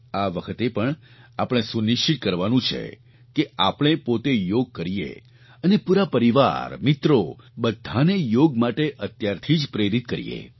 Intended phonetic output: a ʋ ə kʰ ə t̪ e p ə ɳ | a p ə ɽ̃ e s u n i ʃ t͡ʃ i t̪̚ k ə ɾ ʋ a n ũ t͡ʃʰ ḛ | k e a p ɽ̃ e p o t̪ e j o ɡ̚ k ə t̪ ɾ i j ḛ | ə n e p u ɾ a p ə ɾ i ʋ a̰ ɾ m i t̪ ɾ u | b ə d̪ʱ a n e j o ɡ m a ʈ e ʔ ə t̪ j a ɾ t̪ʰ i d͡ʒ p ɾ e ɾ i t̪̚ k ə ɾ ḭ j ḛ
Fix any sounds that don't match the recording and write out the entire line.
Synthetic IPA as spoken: a ʋ ə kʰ ə t̪ e p ə ɳ | a p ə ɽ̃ e s u n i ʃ t͡ʃ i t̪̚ k ə ɾ ʋ a n ũ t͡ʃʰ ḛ | k e a p ɽ̃ e p o t̪ e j o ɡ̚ k ə ɾ i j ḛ | ə n e p u ɾ a p ə ɾ i ʋ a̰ ɾ m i t̪ ɾ o | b ə d̪ʱ a n e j o ɡ m a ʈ e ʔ ə t̪ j a ɾ t̪ʰ i d͡ʒ p ɾ e ɾ i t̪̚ k ə ɾ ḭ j ḛ